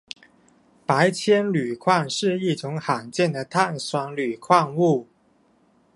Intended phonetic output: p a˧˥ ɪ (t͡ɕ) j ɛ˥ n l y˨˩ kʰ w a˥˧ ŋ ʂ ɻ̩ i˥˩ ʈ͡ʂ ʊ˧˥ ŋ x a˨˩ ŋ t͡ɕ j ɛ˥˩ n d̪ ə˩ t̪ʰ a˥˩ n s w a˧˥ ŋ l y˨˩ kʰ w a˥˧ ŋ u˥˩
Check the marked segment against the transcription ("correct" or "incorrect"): incorrect